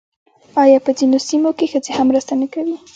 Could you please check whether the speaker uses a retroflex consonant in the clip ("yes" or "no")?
no